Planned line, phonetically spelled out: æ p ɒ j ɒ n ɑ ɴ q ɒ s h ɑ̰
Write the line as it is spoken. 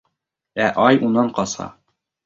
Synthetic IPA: æ ʔ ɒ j u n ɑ ɴ q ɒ s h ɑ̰